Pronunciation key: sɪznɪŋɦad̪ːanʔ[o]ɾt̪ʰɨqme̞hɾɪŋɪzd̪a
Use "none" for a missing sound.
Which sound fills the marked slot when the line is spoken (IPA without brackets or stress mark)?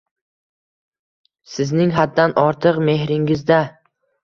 ɒ